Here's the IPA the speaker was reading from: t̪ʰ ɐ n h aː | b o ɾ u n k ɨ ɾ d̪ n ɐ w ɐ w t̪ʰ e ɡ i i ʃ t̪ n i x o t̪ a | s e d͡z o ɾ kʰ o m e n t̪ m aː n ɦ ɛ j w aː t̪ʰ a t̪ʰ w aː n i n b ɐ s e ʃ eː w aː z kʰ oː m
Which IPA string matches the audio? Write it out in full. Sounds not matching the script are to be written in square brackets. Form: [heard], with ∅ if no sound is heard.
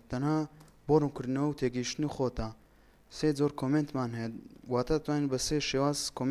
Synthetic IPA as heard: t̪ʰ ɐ n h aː | b o ɾ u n k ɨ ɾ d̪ n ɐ w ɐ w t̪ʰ e ɡ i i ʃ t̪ n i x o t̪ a | s e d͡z o ɾ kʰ o m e n t̪ m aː n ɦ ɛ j w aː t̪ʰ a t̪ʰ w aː n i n b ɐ s e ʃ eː w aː z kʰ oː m